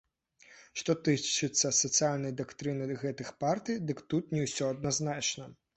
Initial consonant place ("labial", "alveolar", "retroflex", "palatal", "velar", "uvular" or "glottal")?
retroflex